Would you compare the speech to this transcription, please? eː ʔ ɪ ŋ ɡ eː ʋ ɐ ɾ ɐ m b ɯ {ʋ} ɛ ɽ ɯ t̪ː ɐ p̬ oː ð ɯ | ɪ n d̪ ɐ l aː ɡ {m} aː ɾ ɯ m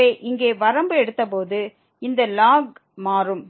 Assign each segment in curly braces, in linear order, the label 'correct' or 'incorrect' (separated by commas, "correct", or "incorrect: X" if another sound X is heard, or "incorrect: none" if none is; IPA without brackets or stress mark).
incorrect: none, correct